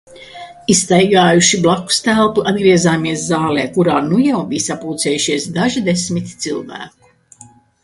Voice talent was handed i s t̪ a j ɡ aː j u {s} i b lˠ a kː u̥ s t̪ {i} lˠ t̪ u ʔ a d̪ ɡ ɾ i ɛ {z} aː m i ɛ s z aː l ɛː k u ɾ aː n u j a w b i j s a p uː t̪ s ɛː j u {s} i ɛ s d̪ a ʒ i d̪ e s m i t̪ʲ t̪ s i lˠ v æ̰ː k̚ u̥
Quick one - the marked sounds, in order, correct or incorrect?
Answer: incorrect: ʃ, incorrect: æ, correct, incorrect: ʃ

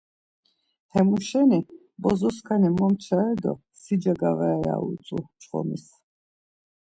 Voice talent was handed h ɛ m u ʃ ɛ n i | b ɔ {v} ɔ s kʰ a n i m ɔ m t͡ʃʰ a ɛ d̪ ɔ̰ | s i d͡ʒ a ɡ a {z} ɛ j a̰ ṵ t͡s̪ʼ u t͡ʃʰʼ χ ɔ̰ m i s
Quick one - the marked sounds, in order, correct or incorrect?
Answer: incorrect: z, incorrect: v

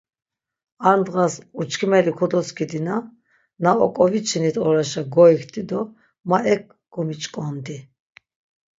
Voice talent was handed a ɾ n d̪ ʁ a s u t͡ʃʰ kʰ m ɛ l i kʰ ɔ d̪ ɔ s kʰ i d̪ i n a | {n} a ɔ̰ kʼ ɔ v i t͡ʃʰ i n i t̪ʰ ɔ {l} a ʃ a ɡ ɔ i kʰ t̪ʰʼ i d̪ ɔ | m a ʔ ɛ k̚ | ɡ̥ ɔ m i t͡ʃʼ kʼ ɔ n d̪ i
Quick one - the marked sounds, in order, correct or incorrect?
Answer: correct, incorrect: ɾ

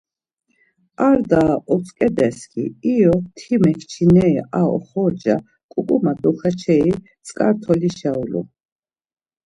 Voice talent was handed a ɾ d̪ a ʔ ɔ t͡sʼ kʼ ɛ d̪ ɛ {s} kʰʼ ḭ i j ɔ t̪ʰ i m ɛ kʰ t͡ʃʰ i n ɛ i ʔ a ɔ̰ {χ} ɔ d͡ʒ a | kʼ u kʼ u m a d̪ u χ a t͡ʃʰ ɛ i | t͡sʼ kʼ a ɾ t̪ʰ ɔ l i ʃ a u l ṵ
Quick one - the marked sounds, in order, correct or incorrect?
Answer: correct, correct

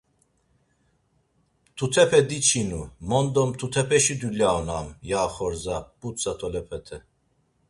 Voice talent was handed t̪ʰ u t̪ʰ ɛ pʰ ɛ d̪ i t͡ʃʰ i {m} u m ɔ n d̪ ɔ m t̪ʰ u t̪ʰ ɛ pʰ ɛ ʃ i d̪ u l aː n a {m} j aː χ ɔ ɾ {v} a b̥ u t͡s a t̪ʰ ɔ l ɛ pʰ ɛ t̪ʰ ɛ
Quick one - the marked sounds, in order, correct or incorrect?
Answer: incorrect: n, correct, incorrect: z

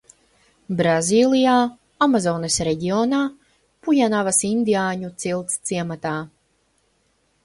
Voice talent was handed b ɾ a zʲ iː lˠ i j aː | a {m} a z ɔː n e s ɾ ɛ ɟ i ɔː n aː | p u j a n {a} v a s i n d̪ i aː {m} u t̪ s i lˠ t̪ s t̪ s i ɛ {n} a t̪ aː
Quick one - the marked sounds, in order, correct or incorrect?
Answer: correct, correct, incorrect: ɲ, incorrect: m

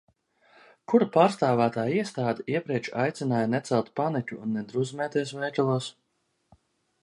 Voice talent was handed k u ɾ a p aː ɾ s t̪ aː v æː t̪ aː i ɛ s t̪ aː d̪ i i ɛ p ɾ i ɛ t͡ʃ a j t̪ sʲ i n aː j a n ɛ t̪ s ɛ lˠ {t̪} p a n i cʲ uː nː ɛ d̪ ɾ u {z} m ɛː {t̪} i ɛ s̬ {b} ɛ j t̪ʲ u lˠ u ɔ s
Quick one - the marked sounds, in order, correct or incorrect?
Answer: correct, correct, correct, incorrect: v

